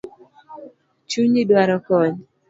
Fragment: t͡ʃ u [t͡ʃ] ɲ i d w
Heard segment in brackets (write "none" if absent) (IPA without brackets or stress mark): none